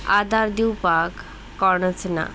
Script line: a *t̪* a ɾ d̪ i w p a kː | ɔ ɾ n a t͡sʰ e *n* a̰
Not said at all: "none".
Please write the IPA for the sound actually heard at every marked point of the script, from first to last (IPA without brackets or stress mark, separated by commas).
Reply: d̪, n